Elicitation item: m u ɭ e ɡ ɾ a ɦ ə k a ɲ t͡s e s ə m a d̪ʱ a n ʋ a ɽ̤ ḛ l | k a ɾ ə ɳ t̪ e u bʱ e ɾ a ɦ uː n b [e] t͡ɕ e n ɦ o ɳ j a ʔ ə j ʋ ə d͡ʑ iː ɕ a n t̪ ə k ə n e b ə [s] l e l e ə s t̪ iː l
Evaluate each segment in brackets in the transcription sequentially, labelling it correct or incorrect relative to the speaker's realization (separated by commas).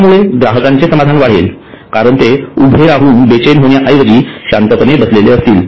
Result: correct, correct